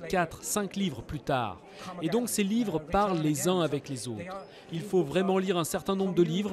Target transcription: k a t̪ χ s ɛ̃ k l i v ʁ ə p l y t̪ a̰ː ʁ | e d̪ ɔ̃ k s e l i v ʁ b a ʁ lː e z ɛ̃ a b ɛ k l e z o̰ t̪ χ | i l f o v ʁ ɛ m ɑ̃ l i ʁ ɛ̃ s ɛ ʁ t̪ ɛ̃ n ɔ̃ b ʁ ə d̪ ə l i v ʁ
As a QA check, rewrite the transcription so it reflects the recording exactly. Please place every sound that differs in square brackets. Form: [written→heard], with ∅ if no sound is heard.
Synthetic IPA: k a t̪ χ s ɛ̃ k l i v ʁ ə p l y t̪ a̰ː ʁ | e d̪ ɔ̃ k s e l i v ʁ [b→p] a ʁ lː e z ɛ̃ a [b→v] ɛ k l e z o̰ t̪ χ | i l f o v ʁ ɛ m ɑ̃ l i ʁ ɛ̃ s ɛ ʁ t̪ ɛ̃ n ɔ̃ b ʁ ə d̪ ə l i v ʁ